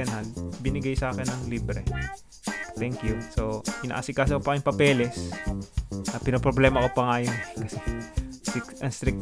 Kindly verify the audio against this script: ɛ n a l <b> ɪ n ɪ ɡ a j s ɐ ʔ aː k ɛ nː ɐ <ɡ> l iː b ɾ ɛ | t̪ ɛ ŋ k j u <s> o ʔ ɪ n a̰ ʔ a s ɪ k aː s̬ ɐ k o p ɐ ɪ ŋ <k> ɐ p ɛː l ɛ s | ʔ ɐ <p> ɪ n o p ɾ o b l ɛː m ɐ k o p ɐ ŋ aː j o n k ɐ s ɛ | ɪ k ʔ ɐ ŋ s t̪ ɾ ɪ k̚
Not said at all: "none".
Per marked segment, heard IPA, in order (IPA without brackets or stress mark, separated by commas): b, ŋ, s, p, p